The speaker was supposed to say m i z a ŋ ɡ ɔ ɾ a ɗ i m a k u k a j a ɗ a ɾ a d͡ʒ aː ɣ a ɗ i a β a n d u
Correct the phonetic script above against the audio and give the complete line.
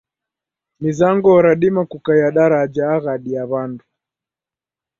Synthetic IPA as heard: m i z a ŋ ɡ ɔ ɾ a ɗ i m a k u k a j a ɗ a ɾ a d͡ʒ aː ɣ a ɗ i a β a n d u